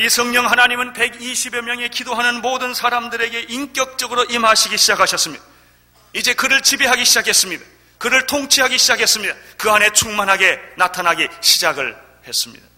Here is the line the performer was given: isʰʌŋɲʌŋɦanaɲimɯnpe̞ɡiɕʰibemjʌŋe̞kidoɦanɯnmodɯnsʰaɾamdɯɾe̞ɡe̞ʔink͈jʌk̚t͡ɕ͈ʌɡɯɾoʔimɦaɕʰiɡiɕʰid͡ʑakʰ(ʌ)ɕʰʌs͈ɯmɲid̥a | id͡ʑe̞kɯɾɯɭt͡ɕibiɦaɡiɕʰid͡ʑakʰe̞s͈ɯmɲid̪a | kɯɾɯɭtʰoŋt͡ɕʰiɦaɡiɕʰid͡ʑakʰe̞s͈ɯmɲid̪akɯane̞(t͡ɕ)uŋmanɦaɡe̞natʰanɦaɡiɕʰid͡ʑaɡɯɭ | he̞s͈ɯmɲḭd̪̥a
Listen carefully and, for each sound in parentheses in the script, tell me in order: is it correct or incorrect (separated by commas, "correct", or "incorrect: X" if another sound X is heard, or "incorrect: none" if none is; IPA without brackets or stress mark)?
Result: incorrect: a, incorrect: t͡ɕʰ